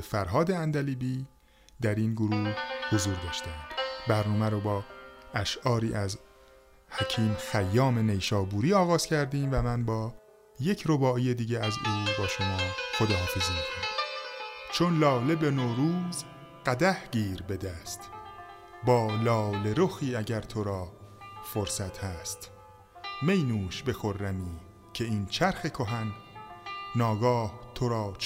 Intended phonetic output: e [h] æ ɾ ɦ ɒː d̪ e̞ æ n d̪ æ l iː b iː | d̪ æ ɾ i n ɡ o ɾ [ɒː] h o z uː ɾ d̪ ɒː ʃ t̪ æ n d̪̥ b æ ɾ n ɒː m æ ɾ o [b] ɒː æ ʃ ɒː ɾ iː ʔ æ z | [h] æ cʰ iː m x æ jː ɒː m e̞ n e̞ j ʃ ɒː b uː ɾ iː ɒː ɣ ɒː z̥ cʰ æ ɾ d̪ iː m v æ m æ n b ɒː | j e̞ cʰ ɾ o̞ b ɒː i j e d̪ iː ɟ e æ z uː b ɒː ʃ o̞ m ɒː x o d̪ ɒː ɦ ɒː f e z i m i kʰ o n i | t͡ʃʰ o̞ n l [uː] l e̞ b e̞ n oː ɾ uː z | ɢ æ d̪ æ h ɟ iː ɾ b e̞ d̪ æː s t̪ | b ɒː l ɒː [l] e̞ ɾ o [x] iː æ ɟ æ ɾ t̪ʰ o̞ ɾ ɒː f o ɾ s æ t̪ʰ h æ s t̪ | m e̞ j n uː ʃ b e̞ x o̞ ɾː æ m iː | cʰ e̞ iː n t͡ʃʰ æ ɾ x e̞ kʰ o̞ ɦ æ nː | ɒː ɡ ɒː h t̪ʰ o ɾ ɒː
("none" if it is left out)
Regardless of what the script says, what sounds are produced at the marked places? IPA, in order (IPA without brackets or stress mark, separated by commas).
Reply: f, uː, b, h, ɒː, l, x